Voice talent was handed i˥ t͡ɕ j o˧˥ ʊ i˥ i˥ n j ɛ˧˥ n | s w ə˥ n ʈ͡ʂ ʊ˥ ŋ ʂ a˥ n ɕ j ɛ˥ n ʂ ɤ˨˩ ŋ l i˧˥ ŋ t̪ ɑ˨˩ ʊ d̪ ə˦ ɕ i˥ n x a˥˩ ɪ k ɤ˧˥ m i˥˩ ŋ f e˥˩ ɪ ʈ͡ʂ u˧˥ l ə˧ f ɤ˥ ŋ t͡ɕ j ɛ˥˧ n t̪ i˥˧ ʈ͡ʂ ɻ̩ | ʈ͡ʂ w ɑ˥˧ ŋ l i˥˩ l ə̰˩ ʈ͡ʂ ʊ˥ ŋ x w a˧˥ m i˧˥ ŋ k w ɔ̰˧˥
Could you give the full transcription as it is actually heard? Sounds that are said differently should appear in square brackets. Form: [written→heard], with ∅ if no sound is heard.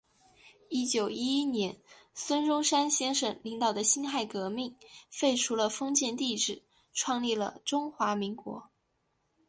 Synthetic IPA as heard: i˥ t͡ɕ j [o˧˥→o˨˩] ʊ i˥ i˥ n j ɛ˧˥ n | s w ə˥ n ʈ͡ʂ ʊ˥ ŋ ʂ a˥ n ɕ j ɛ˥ n ʂ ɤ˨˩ ŋ l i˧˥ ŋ t̪ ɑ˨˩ ʊ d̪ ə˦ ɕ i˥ n x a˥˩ ɪ k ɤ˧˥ m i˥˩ ŋ f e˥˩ ɪ [ʈ͡ʂ→ʈ͡ʂʰ] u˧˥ l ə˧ f ɤ˥ ŋ t͡ɕ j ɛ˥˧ n t̪ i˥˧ ʈ͡ʂ ɻ̩ | [ʈ͡ʂ→ʈ͡ʂʰ] w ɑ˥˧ ŋ l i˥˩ l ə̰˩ ʈ͡ʂ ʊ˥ ŋ x w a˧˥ m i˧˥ ŋ k w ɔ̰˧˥